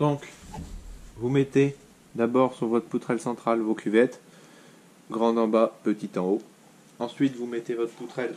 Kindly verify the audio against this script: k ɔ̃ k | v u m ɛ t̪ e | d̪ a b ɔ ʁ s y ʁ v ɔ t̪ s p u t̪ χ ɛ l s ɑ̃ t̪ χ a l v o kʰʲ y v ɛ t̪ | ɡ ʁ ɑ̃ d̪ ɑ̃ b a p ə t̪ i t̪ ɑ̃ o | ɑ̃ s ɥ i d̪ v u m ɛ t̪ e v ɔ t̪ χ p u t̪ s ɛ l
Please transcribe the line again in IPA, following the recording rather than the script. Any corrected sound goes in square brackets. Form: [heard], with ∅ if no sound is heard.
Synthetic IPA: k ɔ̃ k | v u m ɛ t̪ e | d̪ a b ɔ ʁ s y ʁ v ɔ t̪ [χ] p u t̪ χ ɛ l s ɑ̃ t̪ χ a l v o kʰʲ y v ɛ t̪ | ɡ ʁ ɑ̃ d̪ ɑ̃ b a p ə t̪ i t̪ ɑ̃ o | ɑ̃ s ɥ i [t̪] v u m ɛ t̪ e v ɔ t̪ χ p u t̪ [χ] ɛ l